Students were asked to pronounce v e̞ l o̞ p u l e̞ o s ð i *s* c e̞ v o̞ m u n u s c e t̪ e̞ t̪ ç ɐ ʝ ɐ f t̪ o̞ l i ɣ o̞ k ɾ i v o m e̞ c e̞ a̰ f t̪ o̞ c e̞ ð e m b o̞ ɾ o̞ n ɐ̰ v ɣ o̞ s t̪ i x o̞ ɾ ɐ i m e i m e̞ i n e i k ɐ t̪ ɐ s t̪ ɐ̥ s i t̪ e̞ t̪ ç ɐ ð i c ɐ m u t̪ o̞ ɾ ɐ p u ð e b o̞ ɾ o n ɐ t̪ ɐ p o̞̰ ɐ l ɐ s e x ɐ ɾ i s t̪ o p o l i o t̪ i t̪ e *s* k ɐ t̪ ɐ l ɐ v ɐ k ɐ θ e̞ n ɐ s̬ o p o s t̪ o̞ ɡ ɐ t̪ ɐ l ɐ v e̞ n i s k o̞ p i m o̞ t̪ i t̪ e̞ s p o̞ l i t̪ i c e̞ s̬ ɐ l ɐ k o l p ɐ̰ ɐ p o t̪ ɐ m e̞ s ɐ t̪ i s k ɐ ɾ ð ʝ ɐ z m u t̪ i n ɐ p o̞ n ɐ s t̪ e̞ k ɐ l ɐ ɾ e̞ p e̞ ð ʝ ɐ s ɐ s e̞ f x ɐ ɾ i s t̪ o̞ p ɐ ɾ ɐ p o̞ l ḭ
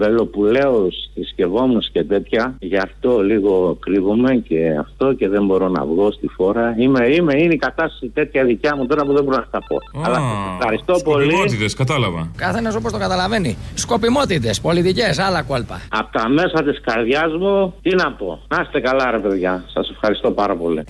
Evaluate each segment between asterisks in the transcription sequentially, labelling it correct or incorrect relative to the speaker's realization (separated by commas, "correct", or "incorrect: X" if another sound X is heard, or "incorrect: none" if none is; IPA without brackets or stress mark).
correct, correct